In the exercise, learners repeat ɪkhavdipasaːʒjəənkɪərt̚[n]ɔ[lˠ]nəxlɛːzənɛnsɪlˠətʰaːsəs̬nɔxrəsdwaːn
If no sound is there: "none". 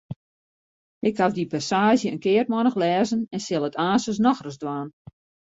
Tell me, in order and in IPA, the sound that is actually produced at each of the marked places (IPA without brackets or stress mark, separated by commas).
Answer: m, none